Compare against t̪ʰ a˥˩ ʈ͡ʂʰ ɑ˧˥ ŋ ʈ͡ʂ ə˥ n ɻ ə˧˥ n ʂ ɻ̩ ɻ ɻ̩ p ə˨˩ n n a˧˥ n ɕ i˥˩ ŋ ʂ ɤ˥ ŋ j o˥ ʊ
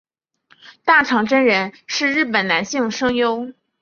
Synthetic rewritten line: t̪ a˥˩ ʈ͡ʂʰ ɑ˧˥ ŋ ʈ͡ʂ ə˥ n ɻ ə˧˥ n ʂ ɻ̩ ɻ ɻ̩ p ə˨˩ n n a˧˥ n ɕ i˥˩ ŋ ʂ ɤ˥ ŋ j o˥ ʊ